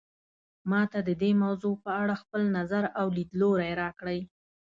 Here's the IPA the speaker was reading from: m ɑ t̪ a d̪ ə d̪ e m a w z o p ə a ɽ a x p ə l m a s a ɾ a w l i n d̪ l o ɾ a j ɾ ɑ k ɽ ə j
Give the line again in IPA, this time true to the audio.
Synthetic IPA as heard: m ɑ t̪ a d̪ ə d̪ e m a w z o p ə a ɽ a x p ə l n a z a ɾ a w l i d̪ l o ɾ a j ɾ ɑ k ɽ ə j